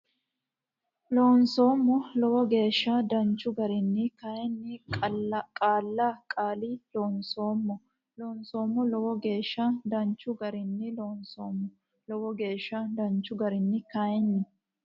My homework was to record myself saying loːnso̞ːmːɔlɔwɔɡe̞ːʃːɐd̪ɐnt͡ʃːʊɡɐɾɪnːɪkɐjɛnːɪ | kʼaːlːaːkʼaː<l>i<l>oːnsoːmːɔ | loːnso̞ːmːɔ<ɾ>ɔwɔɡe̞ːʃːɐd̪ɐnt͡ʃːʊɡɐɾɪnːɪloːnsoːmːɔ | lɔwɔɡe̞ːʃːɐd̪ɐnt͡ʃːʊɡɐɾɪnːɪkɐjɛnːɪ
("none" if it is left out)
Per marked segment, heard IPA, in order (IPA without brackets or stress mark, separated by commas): l, l, l